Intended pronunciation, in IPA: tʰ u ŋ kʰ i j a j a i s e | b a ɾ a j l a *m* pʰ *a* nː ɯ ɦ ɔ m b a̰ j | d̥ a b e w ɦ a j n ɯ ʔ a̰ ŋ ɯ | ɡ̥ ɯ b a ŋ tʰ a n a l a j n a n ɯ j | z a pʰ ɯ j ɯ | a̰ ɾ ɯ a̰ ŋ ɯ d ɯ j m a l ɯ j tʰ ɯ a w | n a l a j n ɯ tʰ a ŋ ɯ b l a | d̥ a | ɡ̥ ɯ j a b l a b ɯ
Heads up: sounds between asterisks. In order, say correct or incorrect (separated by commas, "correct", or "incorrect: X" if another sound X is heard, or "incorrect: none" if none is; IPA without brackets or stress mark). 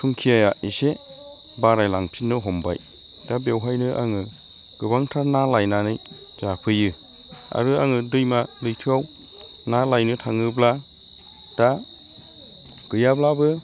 incorrect: ŋ, incorrect: i